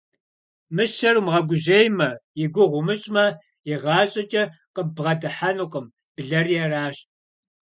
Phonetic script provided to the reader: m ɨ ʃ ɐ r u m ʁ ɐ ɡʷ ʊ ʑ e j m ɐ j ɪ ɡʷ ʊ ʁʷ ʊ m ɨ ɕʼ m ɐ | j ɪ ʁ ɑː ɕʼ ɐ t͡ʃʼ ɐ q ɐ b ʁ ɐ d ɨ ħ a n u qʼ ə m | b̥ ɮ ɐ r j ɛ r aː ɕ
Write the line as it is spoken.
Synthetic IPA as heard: m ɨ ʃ ɐ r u m ʁ ɐ ɡʷ ʊ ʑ e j m ɐ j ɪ ɡʷ ʊ ʁʷ ʊ m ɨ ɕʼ m ɐ | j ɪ ʁ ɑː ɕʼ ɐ t͡ʃʼ ɐ q ə b ʁ ɐ d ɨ ħ a n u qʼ ə m | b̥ ɮ ɐ r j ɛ r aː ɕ